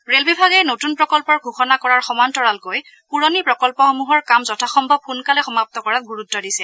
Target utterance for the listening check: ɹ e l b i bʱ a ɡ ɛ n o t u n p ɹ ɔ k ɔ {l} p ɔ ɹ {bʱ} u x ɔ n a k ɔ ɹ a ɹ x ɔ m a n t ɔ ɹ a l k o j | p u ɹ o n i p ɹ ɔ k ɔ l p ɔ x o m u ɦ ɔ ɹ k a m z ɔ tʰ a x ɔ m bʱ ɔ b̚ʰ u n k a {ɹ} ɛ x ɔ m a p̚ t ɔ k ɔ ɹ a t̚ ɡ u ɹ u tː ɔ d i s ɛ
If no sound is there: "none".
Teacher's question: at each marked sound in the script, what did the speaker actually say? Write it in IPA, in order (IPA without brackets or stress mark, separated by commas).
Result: l, ɡʱ, l